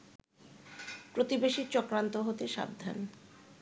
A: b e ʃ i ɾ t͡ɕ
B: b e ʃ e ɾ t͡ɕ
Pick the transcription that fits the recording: A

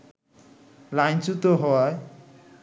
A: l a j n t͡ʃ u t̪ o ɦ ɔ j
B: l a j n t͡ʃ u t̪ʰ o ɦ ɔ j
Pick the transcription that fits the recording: A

